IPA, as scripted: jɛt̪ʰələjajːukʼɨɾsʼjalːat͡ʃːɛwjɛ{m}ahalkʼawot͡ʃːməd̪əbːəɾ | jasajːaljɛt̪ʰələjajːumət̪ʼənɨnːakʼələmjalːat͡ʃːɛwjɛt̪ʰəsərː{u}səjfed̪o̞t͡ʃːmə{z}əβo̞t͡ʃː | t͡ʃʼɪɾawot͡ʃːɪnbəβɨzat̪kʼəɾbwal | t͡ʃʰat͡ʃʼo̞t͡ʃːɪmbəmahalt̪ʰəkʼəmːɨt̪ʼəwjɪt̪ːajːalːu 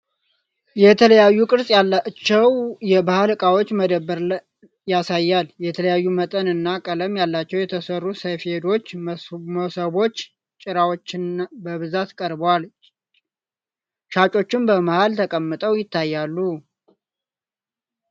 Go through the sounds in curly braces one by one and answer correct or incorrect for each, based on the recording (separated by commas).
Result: incorrect, correct, incorrect